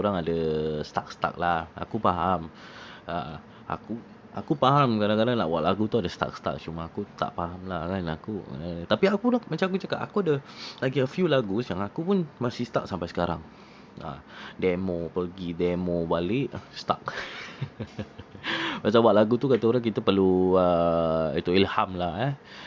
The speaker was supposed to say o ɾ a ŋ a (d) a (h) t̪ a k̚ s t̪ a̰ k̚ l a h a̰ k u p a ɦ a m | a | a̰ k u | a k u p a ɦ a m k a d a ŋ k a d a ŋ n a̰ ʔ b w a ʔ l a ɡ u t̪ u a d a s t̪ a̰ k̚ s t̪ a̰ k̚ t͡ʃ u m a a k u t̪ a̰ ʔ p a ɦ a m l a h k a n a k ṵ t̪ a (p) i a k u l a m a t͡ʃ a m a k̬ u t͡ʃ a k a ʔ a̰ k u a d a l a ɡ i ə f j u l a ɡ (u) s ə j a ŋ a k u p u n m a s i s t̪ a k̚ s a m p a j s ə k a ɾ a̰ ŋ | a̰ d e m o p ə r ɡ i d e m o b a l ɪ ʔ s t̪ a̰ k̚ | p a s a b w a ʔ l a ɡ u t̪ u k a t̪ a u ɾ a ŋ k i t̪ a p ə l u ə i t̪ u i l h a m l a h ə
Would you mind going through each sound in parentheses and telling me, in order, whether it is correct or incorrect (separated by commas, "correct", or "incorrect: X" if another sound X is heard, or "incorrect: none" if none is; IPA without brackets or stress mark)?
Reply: correct, incorrect: s, correct, correct